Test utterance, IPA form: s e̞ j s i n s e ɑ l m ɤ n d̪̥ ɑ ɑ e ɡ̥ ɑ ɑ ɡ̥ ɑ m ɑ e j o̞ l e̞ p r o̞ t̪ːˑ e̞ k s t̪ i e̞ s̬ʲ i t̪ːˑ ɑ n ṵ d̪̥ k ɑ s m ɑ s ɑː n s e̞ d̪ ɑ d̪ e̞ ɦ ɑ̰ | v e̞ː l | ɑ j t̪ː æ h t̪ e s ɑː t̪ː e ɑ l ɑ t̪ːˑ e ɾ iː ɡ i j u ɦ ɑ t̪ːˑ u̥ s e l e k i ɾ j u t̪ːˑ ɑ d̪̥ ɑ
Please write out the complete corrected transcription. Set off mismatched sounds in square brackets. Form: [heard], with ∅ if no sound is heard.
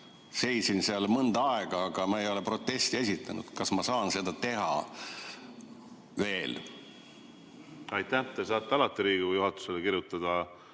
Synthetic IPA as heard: s e̞ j s i n s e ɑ l m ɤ n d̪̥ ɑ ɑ e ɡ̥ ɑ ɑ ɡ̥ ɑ m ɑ e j o̞ l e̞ p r o̞ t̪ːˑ e̞ [∅] s t̪ i e̞ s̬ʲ i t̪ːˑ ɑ n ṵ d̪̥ k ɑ s m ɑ s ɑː n s e̞ d̪ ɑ [t̪] e̞ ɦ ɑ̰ | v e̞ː l | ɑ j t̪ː æ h t̪ e s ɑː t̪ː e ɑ l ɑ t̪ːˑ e ɾ iː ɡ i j u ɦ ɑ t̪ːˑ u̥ s e l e k i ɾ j u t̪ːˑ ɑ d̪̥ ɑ